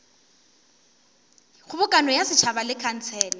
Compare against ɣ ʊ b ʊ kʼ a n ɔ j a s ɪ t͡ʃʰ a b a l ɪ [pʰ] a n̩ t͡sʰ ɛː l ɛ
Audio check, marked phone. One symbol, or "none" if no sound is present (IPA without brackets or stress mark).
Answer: kʰ